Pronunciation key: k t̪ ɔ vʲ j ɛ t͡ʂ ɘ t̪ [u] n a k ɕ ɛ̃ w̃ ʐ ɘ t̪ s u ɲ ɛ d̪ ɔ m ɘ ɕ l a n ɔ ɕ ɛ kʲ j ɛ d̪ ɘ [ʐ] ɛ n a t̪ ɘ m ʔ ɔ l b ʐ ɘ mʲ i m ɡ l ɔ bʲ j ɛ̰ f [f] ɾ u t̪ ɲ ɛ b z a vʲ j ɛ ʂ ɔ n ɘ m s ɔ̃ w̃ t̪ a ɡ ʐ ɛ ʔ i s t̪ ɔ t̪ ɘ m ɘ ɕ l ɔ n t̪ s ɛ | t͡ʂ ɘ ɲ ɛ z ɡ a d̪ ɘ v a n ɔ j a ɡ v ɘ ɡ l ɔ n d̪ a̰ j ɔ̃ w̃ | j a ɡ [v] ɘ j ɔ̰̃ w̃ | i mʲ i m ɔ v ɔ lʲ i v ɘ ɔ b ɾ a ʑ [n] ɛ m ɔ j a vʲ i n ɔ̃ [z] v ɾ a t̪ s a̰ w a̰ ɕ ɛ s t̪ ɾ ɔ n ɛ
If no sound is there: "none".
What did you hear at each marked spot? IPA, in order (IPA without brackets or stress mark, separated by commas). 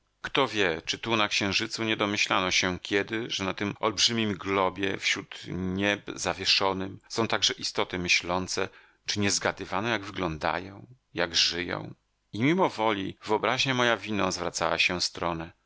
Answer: u, ʐ, ɕ, ʐ, ɲ, z